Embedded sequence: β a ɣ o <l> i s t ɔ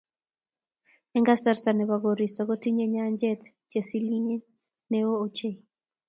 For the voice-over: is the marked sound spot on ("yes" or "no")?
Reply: no